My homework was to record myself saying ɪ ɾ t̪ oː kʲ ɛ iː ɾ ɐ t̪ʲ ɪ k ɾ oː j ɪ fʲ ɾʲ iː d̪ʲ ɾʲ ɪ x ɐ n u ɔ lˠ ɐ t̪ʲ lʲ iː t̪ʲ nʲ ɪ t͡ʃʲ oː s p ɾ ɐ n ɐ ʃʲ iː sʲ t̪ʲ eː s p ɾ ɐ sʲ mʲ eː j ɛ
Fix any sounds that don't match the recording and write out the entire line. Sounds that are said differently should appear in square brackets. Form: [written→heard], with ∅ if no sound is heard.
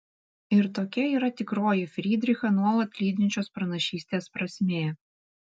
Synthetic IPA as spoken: ɪ ɾ t̪ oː kʲ ɛ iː ɾ ɐ t̪ʲ ɪ k ɾ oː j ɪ fʲ ɾʲ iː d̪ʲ ɾʲ ɪ x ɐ n u ɔ lˠ ɐ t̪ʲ lʲ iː [t̪ʲ→d̪ʲ] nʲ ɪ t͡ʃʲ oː s p ɾ ɐ n ɐ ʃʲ iː sʲ t̪ʲ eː s p ɾ ɐ sʲ mʲ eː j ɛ